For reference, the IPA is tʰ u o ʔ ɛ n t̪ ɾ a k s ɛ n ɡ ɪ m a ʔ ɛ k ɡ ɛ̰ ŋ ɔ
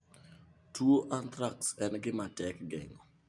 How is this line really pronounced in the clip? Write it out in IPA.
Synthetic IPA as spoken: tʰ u o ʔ a n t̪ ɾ a k s ɛ n ɡ ɪ m a t ɛ k ɡ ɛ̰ ŋ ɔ